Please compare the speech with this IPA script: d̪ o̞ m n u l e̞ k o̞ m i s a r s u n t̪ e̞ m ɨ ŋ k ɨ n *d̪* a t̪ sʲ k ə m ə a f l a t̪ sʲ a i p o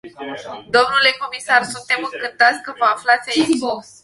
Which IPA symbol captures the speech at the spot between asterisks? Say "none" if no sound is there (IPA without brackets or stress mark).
t̪